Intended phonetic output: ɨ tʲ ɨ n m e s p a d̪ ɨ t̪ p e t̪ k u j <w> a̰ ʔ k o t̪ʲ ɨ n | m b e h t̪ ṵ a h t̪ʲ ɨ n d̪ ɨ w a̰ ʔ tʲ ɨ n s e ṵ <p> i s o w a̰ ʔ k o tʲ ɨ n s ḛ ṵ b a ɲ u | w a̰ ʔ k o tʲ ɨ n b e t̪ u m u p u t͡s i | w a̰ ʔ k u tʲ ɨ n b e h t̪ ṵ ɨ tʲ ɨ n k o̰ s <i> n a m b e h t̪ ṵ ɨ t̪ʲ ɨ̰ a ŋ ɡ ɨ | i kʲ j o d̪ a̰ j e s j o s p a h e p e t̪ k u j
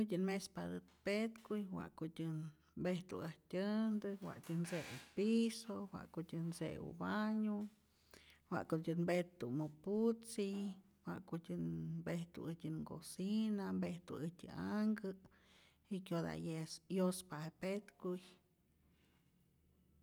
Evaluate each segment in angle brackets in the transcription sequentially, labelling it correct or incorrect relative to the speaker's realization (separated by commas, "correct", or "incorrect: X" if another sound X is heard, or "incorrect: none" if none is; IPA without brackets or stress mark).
correct, correct, correct